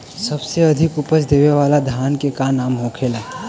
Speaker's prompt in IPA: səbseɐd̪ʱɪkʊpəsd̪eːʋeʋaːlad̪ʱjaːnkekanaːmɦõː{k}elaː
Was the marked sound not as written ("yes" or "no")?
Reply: yes